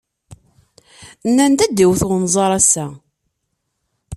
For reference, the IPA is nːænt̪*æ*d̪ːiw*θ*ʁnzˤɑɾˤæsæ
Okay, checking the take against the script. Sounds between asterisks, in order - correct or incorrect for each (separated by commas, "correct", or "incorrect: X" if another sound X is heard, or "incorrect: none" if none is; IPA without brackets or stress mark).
correct, correct